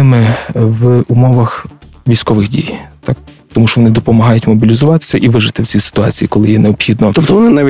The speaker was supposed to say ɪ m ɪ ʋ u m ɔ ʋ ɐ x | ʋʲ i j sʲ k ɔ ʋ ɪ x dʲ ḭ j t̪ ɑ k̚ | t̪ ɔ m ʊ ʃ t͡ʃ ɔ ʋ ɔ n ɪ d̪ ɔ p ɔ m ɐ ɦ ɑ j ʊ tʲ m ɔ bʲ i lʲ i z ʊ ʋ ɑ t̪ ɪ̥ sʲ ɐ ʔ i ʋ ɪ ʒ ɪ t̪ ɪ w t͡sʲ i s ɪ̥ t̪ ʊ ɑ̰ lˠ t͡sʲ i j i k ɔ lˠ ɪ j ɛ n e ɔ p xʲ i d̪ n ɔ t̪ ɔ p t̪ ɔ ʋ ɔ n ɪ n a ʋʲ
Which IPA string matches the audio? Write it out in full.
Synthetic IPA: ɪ m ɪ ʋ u m ɔ ʋ ɐ x | ʋʲ i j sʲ k ɔ ʋ ɪ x dʲ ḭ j t̪ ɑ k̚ | t̪ ɔ m u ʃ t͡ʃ ɔ ʋ ɔ n ɪ d̪ ɔ p ɔ m ɐ ɦ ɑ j ʊ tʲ m ɔ bʲ i lʲ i z ʊ ʋ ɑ t̪ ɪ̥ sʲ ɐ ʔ i ʋ ɪ ʒ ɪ t̪ ɪ w t͡sʲ i s ɪ̥ t̪ ʊ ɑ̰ t͡sʲ i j i k ɔ lˠ ɪ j ɛ n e ɔ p xʲ i d̪ n ɔ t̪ ɔ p t̪ ɔ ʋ ɔ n ɪ n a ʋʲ